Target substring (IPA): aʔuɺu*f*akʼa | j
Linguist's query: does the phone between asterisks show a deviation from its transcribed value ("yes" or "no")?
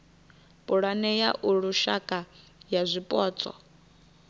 yes